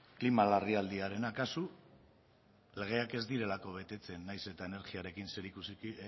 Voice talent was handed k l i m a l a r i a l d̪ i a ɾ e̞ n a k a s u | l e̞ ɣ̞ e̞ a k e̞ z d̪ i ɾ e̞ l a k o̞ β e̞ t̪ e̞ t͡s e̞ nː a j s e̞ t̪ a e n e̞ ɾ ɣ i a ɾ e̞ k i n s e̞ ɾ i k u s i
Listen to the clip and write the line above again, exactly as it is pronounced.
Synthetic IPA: k l i m a l a r i a l d̪ i a ɾ e̞ n a k a s u | l e̞ ɣ̞ e̞ a k e̞ z d̪ i ɾ e̞ l a k o̞ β e̞ t̪ e̞ t͡s e̞ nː a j s e̞ t̪ a e n e̞ ɾ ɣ i a ɾ e̞ k i n s e̞ ɾ i k u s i